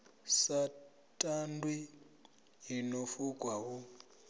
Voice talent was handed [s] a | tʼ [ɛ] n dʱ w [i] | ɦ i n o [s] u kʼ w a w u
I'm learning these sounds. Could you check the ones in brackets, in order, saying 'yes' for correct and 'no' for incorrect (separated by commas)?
yes, no, yes, no